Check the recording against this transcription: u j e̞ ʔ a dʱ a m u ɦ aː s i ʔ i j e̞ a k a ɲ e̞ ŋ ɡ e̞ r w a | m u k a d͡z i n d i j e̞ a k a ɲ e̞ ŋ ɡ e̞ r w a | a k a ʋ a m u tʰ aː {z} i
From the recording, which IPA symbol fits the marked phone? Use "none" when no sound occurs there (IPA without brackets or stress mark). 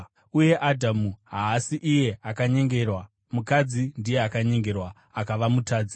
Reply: d͡z